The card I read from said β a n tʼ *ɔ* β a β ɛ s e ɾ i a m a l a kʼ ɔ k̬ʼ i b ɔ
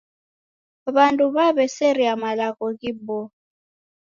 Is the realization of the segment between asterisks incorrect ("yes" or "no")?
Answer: yes